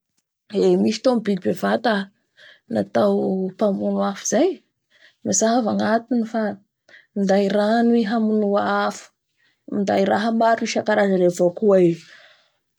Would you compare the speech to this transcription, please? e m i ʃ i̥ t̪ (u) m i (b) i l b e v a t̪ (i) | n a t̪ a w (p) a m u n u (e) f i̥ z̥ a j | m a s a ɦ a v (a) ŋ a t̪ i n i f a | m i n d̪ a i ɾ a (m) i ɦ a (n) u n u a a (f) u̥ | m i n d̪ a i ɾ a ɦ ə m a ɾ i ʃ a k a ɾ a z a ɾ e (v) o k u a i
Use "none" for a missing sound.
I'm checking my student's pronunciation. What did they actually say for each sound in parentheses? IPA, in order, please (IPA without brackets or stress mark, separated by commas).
o, b, a, p, a, a, n, m, f, v